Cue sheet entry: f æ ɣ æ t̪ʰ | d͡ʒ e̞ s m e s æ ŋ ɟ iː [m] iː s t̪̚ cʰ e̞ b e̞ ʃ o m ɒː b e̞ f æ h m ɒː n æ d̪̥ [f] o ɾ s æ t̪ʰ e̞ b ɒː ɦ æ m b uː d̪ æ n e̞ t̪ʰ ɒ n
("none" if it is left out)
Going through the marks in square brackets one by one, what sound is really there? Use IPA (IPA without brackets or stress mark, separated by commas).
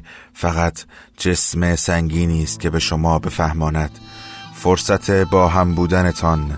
n, f